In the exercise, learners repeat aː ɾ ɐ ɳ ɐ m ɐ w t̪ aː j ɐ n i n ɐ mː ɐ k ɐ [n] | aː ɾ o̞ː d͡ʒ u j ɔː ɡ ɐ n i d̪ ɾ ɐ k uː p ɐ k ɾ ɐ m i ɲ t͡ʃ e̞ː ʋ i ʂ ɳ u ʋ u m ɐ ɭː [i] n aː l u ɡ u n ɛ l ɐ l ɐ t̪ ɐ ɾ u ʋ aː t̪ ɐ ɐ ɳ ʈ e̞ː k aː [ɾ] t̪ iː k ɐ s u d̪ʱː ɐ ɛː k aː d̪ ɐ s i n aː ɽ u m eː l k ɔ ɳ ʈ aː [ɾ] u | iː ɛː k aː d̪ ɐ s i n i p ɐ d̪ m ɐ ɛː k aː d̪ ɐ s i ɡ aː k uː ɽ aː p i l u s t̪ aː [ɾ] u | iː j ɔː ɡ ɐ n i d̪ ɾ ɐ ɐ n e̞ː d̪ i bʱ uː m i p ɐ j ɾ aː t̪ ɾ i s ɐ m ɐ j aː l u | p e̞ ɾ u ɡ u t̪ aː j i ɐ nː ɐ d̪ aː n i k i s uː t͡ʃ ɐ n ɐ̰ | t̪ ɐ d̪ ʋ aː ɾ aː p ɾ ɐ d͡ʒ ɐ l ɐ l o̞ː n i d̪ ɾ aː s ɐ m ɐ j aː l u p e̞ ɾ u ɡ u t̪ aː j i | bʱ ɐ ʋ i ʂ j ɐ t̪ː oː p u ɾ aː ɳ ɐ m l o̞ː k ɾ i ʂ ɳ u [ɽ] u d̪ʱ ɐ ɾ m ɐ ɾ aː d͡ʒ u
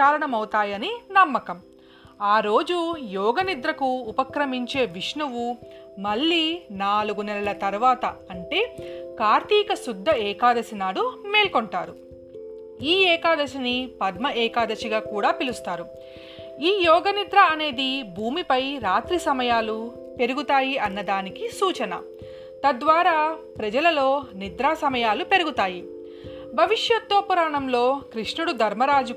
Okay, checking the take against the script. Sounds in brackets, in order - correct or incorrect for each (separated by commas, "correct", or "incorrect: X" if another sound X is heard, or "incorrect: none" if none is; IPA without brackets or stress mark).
incorrect: m, incorrect: iː, correct, correct, correct, correct